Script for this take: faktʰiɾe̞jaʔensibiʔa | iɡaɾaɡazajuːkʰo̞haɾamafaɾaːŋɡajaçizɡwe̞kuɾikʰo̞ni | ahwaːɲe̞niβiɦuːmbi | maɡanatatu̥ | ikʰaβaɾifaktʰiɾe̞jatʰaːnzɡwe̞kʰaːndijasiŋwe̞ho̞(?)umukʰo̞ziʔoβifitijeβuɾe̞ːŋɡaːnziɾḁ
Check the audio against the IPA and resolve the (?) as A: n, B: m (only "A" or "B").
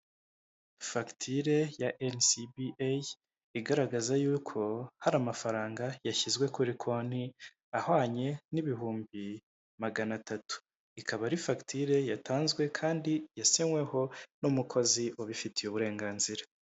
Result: A